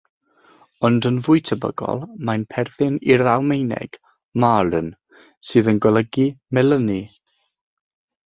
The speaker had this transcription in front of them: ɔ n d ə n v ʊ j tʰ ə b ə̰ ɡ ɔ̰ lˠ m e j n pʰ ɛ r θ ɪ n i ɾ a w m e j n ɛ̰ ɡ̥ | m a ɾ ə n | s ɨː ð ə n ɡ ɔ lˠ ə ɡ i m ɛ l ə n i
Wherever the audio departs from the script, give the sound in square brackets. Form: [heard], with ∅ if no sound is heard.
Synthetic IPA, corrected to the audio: ɔ n d ə n v ʊ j tʰ ə b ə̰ ɡ ɔ̰ lˠ m [a] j n pʰ ɛ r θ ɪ n i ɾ a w m e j n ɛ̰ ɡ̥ | m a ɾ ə n | s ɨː ð ə n ɡ ɔ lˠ ə ɡ i m ɛ l ə n i